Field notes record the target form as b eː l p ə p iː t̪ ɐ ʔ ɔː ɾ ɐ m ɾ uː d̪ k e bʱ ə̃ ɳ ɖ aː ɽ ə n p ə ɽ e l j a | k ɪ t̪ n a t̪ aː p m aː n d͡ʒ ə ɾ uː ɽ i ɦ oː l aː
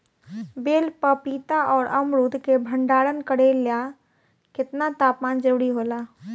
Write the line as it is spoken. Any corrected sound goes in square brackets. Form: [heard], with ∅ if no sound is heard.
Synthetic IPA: b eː l p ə p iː t̪ [a] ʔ ɔː ɾ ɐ m ɾ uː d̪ k e bʱ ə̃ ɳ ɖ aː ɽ ə n [k] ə ɽ e l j a | k ɪ t̪ n a t̪ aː p m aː n d͡ʒ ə ɾ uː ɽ i ɦ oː l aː